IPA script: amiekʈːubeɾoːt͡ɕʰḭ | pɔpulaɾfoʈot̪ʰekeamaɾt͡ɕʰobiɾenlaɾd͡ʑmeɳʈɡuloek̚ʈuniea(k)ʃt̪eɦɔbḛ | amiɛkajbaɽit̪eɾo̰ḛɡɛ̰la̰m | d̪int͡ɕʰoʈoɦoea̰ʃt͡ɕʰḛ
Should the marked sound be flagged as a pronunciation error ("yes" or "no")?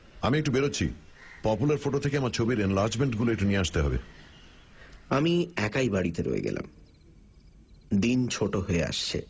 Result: yes